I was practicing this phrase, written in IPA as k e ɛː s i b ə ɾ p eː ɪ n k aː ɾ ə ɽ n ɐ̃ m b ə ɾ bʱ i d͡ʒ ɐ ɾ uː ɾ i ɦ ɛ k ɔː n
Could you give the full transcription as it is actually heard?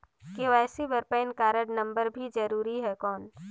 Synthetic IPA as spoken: k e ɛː s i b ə ɾ p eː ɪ n k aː ɾ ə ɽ n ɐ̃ m b ə ɾ bʱ i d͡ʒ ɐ ɾ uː ɾ i ɦ ɛ k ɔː n